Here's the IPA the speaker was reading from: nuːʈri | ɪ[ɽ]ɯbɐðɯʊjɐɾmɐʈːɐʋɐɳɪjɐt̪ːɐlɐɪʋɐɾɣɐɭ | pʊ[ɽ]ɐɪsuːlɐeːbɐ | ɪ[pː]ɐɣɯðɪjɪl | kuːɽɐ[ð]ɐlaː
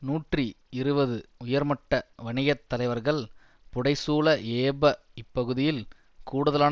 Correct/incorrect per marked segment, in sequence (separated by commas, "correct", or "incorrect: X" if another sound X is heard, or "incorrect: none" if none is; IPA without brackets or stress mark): incorrect: ɾ, correct, correct, correct